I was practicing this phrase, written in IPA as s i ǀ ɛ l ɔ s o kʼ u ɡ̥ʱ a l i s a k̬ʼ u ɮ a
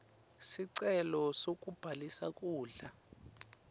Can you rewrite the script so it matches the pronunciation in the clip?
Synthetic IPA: s i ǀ ɛ l ɔ s o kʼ u b̥ʱ a l i s a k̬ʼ uː ɮ a